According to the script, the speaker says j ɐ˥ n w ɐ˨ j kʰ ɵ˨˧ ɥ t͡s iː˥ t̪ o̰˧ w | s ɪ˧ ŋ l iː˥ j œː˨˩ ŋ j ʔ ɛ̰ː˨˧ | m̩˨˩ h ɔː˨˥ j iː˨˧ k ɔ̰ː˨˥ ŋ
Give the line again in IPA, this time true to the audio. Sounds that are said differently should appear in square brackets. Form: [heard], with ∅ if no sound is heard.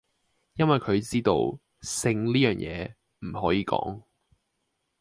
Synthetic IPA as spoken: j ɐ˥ n w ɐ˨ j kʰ ɵ˨˧ ɥ t͡s iː˥ t̪ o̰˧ w | s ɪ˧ ŋ l iː˥ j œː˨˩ ŋ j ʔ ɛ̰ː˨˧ | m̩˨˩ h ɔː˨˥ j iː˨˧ k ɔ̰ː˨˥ ŋ